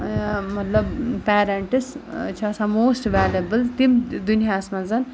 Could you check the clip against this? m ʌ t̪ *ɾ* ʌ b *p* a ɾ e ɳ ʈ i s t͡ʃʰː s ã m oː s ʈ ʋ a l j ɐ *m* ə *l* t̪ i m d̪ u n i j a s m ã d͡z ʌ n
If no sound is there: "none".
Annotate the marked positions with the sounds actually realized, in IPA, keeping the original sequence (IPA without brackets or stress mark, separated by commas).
l, p, b, l